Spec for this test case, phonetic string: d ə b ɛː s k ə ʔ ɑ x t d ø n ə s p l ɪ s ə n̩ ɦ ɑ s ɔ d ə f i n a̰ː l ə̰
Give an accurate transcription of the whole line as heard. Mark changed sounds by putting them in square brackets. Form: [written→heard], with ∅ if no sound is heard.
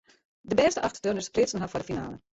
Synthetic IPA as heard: d ə b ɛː s [k→t] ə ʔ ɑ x t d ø n ə s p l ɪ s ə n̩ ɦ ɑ [s→f] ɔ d ə f i n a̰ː l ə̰